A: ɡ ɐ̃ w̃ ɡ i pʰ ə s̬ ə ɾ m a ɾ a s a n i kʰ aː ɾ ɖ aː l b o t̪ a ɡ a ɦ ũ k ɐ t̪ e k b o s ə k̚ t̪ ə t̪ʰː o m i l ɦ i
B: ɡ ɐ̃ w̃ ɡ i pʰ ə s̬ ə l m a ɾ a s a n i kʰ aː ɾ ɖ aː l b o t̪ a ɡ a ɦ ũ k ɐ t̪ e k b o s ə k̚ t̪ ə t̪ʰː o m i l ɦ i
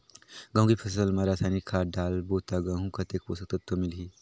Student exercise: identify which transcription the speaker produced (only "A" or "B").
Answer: B